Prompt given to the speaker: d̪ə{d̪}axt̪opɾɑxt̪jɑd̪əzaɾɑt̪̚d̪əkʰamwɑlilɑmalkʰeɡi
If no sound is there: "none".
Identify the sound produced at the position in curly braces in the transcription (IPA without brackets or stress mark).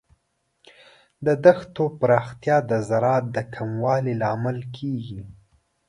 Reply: d̪